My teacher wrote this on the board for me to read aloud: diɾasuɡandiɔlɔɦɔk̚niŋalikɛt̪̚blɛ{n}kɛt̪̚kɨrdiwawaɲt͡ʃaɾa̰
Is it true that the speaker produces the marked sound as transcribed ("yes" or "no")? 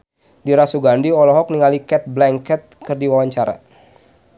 no